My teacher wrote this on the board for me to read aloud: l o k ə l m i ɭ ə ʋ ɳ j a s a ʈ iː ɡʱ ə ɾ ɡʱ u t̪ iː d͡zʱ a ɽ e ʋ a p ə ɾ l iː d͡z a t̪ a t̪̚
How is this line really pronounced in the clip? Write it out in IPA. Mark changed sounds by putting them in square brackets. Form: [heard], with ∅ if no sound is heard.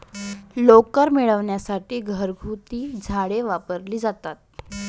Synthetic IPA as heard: l o k ə [ɾ] m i ɭ ə ʋ ɳ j a s a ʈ iː ɡʱ ə ɾ ɡʱ u t̪ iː d͡zʱ a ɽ e ʋ a p ə ɾ l iː d͡z a t̪ a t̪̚